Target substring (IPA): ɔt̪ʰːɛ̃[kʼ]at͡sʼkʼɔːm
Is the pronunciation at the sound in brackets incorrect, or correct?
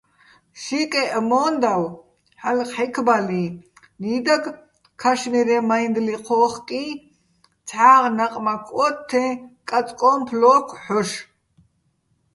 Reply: correct